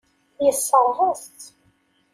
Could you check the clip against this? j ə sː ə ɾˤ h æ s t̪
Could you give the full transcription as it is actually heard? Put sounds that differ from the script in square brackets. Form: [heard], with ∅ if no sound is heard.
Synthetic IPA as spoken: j ə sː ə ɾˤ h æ s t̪

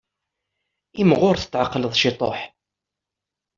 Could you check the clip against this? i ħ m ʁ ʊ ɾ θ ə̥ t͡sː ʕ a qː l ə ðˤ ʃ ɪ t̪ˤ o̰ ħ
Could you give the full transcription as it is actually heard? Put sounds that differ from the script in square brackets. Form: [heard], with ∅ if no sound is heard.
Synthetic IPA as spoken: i [∅] m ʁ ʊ ɾ θ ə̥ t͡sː ʕ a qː l ə ðˤ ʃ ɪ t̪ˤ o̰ ħ

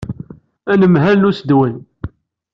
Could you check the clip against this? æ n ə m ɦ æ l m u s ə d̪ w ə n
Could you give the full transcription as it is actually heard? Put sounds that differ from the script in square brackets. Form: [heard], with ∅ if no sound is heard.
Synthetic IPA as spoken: æ n ə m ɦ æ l [n] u s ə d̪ w ə n

